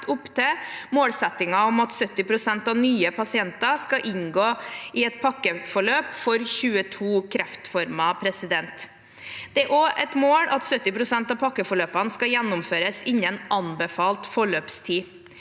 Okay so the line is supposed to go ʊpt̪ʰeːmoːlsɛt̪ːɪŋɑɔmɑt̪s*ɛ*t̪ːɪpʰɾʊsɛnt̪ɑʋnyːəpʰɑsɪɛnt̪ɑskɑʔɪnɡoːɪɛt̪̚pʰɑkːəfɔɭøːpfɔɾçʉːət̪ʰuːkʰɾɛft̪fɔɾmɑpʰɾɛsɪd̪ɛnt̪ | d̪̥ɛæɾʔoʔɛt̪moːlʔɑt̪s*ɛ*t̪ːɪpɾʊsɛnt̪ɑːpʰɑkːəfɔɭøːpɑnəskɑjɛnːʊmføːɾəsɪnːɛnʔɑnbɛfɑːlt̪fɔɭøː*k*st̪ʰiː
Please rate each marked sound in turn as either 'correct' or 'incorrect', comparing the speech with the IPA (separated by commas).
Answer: incorrect, incorrect, incorrect